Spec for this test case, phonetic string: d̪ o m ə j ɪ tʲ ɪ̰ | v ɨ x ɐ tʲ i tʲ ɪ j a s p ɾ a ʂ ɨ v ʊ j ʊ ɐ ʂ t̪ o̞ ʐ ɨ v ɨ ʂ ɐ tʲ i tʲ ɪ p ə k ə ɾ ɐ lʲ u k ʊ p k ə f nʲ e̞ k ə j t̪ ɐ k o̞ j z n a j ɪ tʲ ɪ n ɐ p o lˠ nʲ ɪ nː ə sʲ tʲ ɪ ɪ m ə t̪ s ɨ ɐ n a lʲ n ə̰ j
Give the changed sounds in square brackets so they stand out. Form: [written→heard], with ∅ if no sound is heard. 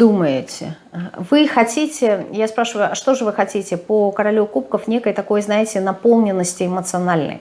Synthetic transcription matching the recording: d̪ [o→u] m ə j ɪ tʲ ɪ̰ | v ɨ x ɐ tʲ i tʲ ɪ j a s p ɾ a ʂ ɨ v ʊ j ʊ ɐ ʂ t̪ o̞ ʐ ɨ v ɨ [ʂ→x] ɐ tʲ i tʲ ɪ p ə k ə ɾ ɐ lʲ u k [ʊ→u] p k ə f nʲ e̞ k ə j t̪ ɐ k o̞ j z n a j ɪ tʲ ɪ n ɐ p o lˠ nʲ ɪ nː ə sʲ tʲ ɪ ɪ m ə t̪ s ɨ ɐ n a lʲ n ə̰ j